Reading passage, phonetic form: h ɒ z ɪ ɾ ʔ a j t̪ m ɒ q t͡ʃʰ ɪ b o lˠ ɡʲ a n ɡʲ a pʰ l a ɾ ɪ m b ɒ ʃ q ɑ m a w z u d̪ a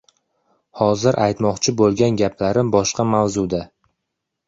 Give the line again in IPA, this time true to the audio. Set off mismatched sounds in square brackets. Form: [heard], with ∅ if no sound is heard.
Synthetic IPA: h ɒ z ɪ ɾ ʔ a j t̪ m ɒ q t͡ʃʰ ɪ b o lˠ ɡʲ a n ɡʲ a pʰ l a ɾ ɪ m b ɒ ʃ q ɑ m a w z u d̪ a